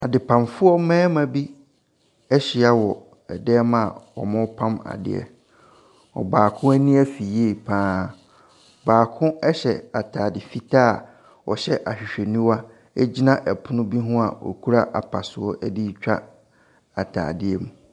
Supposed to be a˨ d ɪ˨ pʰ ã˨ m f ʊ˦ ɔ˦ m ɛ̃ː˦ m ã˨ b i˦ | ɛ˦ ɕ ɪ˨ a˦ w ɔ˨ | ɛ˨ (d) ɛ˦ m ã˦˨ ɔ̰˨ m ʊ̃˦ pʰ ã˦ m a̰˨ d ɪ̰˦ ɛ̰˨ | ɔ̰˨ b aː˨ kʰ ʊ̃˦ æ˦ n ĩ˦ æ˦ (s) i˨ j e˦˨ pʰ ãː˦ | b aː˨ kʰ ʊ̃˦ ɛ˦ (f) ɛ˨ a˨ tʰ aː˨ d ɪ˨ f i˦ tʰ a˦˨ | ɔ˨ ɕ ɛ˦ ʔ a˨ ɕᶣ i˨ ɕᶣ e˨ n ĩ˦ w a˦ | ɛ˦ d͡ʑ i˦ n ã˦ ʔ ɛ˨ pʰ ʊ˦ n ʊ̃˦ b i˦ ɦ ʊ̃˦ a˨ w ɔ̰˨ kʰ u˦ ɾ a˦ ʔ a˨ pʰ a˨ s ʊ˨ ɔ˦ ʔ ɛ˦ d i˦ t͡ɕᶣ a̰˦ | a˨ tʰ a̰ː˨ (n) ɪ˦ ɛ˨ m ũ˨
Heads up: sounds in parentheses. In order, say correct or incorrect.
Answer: correct, incorrect: f, incorrect: ɕ, incorrect: d

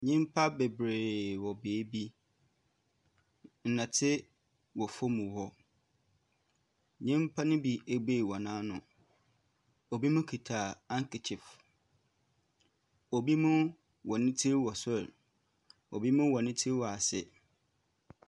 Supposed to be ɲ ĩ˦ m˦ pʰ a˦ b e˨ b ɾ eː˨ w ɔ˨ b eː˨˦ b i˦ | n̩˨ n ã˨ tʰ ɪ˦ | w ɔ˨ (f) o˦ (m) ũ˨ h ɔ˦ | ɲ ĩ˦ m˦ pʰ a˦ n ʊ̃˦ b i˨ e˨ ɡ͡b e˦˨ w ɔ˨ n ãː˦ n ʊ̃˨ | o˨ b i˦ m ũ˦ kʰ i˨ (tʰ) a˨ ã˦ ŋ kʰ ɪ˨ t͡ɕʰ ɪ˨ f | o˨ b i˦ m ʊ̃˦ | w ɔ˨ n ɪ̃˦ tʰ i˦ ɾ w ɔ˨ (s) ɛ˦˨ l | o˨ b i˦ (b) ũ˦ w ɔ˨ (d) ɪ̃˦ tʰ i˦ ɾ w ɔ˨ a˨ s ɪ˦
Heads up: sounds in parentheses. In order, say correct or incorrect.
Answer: correct, correct, correct, correct, incorrect: m, incorrect: n

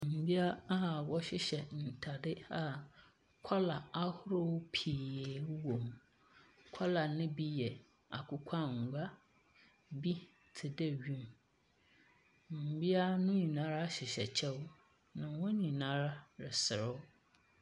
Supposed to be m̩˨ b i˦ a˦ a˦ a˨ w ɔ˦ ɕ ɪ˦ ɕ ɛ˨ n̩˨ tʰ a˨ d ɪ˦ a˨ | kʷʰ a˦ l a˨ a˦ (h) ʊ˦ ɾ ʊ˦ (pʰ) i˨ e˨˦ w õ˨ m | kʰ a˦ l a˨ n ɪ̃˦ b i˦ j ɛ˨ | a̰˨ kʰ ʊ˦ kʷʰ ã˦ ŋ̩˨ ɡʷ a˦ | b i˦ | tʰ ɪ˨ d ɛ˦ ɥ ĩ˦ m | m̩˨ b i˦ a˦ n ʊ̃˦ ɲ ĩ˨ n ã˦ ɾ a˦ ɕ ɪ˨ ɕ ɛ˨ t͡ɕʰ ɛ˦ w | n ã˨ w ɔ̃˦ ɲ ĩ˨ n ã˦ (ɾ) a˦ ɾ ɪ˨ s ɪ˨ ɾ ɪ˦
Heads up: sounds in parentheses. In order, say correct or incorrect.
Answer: correct, correct, correct

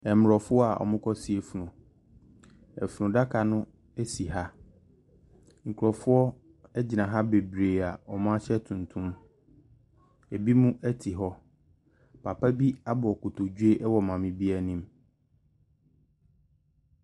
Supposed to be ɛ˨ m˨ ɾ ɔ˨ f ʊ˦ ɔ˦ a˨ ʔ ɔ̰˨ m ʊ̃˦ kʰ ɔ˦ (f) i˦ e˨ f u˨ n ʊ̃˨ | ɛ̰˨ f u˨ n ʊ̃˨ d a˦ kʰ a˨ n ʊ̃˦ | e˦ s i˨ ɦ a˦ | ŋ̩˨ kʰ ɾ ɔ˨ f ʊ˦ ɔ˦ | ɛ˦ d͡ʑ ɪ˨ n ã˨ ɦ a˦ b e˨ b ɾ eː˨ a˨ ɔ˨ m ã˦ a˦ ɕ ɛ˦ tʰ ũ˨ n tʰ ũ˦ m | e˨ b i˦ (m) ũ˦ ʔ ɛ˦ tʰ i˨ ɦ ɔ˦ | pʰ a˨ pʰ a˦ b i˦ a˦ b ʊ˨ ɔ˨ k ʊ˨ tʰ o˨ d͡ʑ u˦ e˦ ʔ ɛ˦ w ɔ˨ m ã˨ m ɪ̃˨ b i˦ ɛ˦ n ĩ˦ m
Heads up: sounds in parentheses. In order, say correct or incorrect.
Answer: incorrect: s, correct

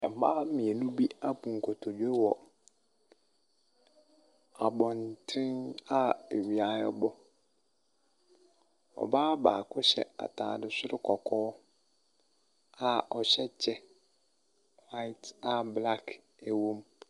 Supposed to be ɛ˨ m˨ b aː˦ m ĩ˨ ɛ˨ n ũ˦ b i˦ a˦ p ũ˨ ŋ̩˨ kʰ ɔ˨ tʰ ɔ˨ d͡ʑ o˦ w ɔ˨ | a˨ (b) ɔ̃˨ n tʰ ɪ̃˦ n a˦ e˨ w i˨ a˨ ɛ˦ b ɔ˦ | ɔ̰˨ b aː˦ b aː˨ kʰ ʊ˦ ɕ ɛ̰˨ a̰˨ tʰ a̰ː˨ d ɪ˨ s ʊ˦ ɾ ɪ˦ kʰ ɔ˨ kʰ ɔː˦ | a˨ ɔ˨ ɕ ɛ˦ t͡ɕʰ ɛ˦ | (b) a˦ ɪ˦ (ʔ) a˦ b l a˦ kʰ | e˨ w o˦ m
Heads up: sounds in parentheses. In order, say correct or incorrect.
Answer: correct, incorrect: w, incorrect: t

